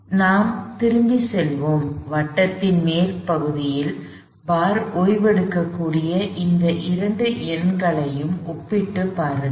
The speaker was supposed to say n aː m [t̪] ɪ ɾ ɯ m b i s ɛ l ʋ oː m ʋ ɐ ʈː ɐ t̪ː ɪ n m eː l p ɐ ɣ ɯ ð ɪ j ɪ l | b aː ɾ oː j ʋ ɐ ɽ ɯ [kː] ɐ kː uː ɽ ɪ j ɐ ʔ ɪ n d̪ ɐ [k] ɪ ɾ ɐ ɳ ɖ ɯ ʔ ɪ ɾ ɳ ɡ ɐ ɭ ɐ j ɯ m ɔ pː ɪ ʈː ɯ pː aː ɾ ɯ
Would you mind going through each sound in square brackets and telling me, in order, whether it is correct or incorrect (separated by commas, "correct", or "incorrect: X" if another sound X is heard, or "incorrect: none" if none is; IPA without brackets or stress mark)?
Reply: correct, correct, incorrect: ʔ